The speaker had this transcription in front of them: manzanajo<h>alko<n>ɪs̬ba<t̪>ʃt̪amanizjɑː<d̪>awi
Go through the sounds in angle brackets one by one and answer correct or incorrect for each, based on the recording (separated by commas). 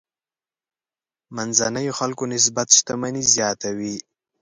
incorrect, correct, correct, incorrect